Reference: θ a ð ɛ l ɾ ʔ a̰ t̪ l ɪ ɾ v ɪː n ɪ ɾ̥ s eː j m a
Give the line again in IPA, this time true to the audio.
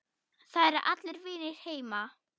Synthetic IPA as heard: θ a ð ɛ ɾ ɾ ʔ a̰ t̪ l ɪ ɾ v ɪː n ɪ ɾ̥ h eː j m a